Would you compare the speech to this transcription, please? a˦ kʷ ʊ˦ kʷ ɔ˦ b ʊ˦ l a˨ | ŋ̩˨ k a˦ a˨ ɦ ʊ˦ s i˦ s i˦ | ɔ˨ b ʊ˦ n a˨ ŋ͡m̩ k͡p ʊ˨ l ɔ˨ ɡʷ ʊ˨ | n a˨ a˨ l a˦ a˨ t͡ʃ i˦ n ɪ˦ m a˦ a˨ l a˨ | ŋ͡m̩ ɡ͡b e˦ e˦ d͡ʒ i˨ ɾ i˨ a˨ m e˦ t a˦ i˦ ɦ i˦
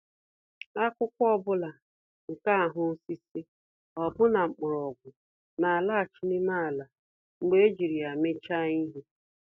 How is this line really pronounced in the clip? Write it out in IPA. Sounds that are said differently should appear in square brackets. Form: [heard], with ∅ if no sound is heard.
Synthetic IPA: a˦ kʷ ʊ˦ kʷ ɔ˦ b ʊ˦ l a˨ | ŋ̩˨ k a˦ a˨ ɦ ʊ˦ s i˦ s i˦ | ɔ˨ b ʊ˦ n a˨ ŋ͡m̩ k͡p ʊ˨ [ɾ] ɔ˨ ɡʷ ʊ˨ | n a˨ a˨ l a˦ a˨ t͡ʃ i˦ n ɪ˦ m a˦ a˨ l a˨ | ŋ͡m̩ ɡ͡b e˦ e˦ d͡ʒ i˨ ɾ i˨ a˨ m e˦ [t͡ʃ] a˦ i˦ ɦ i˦